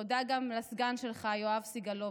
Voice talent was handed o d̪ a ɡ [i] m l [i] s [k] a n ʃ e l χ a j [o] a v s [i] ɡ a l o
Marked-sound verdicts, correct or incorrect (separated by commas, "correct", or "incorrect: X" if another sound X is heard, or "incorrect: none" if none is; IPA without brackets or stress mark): incorrect: a, incorrect: a, incorrect: ɡ, correct, correct